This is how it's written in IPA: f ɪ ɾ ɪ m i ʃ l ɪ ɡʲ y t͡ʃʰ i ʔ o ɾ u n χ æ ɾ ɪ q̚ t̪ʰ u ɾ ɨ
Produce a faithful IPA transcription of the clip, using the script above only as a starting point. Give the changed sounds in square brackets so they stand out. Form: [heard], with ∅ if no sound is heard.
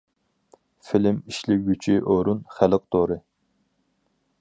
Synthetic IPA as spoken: f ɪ [l] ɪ m i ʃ l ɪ ɡʲ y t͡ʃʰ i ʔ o ɾ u n χ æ [l] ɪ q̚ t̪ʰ [o] ɾ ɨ